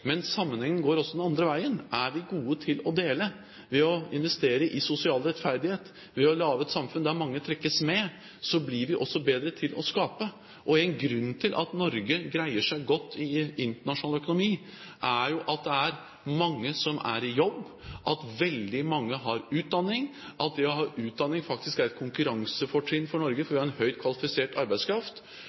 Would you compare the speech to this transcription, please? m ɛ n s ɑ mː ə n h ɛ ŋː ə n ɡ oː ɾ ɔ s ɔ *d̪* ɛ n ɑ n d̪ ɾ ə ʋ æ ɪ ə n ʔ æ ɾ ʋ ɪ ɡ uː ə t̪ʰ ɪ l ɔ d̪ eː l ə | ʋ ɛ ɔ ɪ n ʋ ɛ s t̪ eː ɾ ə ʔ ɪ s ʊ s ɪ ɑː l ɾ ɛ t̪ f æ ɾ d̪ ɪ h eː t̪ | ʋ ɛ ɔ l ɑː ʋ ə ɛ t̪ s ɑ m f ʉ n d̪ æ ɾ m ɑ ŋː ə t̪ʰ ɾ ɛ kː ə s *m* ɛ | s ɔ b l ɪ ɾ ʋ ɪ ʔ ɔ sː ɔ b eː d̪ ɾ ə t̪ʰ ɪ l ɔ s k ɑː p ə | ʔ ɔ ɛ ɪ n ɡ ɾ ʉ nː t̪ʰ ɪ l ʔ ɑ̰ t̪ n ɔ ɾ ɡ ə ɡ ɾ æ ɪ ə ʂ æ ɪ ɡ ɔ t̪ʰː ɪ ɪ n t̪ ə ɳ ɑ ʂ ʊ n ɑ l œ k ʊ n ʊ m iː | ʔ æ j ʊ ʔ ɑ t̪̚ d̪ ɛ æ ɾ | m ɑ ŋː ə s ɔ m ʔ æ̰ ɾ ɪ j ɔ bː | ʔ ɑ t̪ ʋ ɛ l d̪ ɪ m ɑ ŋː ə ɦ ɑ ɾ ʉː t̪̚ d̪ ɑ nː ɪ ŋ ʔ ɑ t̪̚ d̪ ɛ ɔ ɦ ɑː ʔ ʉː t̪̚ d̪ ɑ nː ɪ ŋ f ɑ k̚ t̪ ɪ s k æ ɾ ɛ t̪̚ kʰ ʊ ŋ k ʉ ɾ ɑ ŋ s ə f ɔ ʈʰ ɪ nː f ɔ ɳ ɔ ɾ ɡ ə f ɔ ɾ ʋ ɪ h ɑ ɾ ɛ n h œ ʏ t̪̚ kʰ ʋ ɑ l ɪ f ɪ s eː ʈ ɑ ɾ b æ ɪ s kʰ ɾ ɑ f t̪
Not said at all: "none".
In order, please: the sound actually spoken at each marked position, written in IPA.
d̪, m

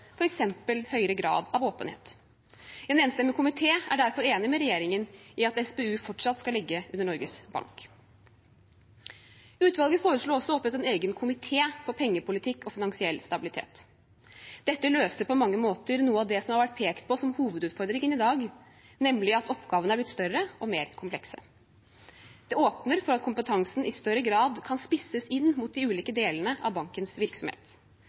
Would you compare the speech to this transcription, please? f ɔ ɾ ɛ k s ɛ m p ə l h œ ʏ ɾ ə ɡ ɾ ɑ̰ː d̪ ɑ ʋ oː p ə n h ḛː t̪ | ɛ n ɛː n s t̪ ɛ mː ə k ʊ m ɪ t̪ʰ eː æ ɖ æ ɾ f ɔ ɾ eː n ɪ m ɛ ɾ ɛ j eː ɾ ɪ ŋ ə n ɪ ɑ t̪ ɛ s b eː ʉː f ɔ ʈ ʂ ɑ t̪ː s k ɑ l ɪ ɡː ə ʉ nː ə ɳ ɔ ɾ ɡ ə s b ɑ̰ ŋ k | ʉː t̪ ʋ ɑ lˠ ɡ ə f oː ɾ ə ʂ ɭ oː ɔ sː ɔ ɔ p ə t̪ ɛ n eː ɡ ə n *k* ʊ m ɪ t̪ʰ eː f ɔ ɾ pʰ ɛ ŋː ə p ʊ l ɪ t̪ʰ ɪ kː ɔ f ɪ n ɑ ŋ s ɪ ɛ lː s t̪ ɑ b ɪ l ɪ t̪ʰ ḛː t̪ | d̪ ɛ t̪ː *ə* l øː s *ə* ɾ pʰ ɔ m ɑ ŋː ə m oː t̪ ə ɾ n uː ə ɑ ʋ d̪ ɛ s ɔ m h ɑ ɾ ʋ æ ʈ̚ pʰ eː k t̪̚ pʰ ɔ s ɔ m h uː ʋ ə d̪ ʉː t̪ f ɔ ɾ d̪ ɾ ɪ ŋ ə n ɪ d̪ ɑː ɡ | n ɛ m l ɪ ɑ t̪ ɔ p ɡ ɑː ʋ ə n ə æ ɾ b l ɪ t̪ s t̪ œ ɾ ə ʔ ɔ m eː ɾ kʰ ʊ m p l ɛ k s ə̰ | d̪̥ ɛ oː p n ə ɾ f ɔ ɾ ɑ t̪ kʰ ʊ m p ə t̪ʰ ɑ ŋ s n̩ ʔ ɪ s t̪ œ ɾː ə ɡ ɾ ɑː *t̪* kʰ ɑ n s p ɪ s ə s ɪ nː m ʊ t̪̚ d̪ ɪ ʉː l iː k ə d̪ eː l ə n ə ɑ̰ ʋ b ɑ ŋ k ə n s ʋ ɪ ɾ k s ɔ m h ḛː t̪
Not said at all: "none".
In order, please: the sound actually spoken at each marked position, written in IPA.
kʰ, ə, ə, d̪

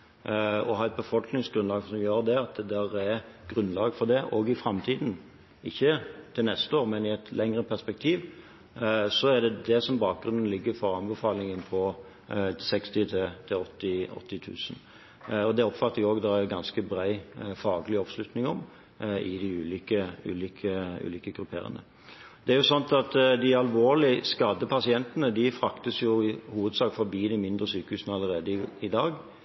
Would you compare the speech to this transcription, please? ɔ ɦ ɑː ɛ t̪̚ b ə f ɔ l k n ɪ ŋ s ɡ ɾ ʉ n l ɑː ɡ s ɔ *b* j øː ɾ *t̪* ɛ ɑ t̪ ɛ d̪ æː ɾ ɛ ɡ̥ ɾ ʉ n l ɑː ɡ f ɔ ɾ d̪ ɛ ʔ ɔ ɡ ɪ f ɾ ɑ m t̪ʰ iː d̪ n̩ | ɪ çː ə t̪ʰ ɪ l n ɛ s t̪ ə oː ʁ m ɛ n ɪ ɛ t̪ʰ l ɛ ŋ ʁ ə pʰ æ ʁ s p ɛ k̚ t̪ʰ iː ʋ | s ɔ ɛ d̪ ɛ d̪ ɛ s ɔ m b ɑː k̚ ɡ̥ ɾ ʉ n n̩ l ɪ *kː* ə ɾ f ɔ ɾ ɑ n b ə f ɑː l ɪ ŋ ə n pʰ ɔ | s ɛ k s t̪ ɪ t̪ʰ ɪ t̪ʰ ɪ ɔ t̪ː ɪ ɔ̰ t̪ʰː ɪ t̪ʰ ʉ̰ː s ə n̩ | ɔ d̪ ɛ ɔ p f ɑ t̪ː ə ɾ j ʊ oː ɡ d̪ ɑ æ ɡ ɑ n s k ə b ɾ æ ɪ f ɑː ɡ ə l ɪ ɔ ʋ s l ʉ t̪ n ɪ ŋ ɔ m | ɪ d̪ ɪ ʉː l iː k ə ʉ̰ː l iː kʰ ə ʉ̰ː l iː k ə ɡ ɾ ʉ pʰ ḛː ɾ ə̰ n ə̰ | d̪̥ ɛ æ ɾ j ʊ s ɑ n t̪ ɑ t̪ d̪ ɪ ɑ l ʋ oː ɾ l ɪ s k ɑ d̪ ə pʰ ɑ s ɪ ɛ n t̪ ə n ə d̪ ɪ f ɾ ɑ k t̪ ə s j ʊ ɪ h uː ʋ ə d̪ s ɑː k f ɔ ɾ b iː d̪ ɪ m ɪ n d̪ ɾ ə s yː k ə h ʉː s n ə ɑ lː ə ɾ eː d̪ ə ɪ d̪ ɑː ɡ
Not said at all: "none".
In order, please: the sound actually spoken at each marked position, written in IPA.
m, d̪, ɡː

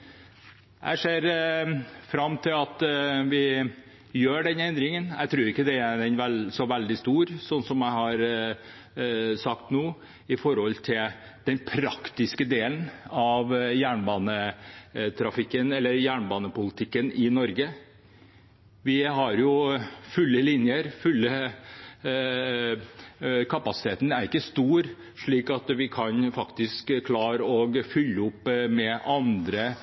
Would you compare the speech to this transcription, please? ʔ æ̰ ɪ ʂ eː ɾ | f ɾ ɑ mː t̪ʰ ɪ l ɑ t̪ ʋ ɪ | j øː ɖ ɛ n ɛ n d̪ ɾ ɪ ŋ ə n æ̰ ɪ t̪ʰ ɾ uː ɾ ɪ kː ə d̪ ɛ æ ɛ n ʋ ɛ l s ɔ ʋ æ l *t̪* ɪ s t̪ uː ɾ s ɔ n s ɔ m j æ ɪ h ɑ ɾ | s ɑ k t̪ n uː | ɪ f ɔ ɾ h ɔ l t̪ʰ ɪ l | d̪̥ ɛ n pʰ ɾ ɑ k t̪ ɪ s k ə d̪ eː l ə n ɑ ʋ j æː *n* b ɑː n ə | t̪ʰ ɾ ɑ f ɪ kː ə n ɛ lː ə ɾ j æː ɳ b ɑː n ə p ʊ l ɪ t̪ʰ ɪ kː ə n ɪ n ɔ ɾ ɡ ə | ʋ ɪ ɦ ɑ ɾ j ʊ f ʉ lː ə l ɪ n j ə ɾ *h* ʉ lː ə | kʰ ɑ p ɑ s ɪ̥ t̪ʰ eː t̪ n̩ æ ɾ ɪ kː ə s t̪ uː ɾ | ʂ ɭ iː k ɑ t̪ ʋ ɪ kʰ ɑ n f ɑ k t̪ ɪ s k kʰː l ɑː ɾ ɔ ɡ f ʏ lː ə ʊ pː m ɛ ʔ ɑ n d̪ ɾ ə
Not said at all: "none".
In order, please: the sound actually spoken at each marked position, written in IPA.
d̪, ɳ, f

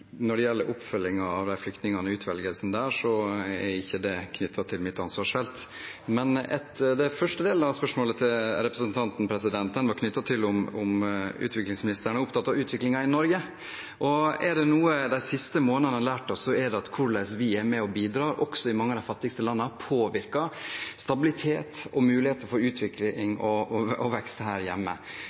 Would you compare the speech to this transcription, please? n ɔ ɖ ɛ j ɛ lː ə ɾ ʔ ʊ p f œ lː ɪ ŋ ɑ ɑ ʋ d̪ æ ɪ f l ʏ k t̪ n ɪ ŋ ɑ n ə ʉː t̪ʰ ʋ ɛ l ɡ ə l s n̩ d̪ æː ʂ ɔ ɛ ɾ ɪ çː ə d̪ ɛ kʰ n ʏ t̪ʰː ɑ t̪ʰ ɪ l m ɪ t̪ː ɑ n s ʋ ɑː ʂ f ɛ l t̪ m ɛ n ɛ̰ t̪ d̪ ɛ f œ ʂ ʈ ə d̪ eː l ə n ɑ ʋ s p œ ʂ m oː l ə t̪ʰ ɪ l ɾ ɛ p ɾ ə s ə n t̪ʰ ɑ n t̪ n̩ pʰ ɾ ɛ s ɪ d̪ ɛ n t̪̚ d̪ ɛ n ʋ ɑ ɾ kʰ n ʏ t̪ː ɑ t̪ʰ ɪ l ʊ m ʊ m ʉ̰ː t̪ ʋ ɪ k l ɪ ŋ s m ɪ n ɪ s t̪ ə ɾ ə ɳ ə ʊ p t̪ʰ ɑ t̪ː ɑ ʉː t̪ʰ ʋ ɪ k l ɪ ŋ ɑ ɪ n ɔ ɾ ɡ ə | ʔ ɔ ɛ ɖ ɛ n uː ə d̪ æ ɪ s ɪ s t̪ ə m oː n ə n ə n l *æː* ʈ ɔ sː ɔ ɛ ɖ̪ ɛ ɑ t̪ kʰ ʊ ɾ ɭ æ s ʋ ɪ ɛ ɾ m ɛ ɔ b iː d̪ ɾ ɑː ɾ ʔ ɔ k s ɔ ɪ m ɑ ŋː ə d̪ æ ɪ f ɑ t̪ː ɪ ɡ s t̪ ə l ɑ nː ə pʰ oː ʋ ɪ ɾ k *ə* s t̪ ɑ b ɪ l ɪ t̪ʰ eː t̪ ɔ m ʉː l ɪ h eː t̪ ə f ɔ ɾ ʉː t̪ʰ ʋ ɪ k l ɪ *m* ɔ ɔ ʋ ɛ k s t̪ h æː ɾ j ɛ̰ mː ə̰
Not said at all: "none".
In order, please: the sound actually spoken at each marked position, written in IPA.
æː, ɑ, ŋ

